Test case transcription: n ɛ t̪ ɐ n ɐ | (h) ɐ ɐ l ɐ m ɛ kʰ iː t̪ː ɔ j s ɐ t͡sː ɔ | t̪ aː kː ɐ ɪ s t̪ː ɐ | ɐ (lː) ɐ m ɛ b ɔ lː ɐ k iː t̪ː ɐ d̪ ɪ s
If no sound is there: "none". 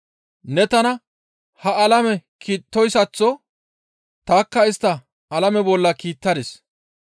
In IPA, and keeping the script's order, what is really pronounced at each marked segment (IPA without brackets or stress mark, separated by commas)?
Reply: h, l